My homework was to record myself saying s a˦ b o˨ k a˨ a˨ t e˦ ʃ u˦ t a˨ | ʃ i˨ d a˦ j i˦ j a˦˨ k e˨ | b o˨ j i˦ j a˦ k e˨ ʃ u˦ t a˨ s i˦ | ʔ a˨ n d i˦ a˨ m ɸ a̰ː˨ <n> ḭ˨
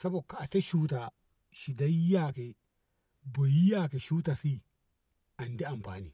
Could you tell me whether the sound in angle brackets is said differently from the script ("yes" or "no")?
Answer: no